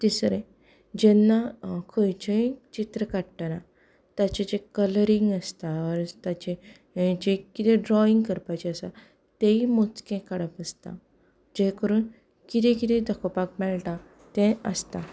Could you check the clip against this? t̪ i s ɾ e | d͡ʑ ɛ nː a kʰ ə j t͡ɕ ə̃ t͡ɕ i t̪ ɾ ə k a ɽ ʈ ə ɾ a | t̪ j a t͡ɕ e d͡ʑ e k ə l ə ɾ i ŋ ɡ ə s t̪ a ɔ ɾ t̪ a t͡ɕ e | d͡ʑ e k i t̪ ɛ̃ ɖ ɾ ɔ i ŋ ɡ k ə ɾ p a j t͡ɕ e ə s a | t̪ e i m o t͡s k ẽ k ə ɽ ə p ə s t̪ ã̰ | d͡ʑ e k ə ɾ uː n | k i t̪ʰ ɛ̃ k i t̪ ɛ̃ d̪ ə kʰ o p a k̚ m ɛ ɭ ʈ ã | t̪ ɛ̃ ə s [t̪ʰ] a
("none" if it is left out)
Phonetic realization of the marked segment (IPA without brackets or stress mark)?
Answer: t̪